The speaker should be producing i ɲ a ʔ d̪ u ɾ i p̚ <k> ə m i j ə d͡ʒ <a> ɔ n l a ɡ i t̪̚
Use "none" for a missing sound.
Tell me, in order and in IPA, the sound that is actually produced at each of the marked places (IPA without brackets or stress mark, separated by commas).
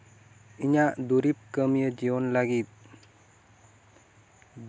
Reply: k, i